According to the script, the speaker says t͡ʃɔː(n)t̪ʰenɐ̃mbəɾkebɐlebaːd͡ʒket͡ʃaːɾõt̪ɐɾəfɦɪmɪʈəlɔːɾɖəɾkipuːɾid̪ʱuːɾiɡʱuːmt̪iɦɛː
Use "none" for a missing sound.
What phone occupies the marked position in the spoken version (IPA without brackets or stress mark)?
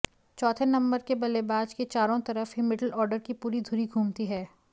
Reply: none